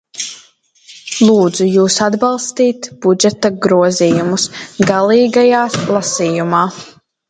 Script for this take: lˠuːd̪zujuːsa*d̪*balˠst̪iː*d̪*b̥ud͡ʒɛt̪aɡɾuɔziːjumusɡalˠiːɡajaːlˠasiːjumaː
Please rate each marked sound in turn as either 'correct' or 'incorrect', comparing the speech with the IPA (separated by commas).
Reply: correct, incorrect